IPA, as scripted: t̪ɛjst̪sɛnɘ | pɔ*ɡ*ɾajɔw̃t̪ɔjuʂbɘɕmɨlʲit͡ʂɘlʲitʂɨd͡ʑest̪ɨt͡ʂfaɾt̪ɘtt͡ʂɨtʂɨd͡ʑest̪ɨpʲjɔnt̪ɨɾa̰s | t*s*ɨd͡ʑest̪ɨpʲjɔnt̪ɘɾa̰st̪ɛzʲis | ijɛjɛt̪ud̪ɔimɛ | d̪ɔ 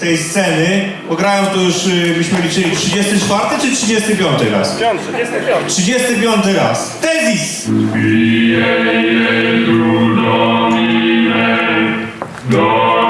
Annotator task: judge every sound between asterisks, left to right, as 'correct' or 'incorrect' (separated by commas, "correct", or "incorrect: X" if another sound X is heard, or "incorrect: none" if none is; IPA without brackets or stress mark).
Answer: correct, incorrect: ʂ